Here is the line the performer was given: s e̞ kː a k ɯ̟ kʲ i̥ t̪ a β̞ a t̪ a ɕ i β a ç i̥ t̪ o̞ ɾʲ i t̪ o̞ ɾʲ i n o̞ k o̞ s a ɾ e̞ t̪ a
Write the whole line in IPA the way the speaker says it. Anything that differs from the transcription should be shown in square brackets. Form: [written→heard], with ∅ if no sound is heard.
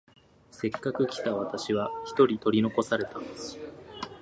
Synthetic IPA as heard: s e̞ kː a k ɯ̟ kʲ i̥ t̪ a β̞ a t̪ a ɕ i β a ç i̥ t̪ o̞ ɾʲ i t̪ o̞ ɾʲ i n o̞ k o̞ s a ɾ e̞ t̪ a